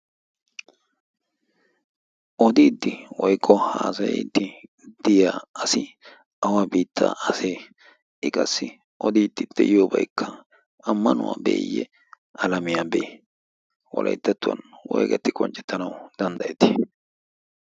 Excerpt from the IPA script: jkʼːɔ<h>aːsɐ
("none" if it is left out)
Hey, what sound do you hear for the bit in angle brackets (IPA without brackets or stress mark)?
h